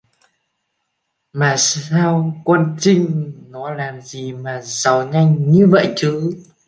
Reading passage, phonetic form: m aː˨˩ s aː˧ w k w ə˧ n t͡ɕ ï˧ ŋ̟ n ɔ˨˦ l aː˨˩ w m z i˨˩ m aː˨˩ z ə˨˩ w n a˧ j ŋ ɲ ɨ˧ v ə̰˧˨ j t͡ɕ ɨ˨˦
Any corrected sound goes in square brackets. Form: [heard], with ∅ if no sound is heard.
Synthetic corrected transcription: m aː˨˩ s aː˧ w k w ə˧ n t͡ɕ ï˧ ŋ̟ n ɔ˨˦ l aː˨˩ [∅] m z i˨˩ m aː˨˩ z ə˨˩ w [ŋ] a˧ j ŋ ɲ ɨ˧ v ə̰˧˨ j t͡ɕ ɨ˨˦